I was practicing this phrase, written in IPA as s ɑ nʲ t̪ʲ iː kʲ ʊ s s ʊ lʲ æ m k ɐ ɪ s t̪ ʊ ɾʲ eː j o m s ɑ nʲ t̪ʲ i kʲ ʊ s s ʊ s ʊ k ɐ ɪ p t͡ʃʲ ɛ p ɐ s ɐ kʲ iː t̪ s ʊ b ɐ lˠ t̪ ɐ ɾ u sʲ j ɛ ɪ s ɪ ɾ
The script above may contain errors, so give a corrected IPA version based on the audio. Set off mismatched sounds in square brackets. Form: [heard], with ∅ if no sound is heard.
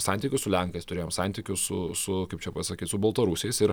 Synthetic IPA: s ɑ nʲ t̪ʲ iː kʲ ʊ s s ʊ lʲ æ [ŋ] k ɐ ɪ s t̪ ʊ ɾʲ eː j o m s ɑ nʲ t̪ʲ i kʲ ʊ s s ʊ s ʊ k ɐ ɪ p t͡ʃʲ ɛ p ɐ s ɐ kʲ iː t̪ s ʊ b ɐ lˠ t̪ ɐ ɾ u sʲ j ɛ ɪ s ɪ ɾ